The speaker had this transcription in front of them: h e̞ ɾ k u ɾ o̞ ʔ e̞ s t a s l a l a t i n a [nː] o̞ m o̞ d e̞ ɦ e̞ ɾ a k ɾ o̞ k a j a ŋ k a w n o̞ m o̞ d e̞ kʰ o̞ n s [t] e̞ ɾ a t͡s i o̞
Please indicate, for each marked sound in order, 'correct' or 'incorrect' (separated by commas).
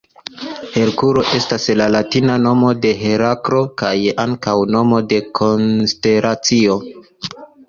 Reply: incorrect, correct